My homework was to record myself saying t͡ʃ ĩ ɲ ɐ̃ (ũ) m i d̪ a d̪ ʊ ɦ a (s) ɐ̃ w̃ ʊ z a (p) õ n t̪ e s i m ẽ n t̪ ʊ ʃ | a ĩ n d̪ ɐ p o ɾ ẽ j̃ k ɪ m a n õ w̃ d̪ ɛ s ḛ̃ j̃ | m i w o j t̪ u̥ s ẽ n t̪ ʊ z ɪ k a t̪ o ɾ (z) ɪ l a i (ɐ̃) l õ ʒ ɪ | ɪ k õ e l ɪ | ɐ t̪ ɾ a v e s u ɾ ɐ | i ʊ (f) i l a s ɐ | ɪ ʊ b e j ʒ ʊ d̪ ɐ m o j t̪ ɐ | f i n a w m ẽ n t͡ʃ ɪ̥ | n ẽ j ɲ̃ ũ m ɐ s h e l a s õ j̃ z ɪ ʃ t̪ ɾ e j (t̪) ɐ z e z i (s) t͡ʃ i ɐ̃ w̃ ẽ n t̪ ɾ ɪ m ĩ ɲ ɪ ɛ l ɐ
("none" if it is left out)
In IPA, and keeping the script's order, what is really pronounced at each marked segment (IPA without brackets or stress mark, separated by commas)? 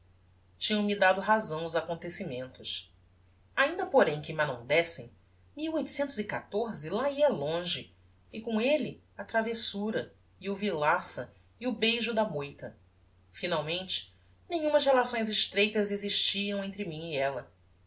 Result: w̃, z, k, z, ɐ, v, t̪, ʃ